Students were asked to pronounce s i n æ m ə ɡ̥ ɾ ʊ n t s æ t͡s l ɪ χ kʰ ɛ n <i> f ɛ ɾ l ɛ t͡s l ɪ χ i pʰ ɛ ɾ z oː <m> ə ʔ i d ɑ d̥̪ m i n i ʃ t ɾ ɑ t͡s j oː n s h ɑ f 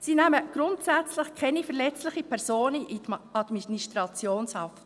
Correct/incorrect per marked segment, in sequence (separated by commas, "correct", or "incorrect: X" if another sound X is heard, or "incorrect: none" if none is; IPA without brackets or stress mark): correct, incorrect: n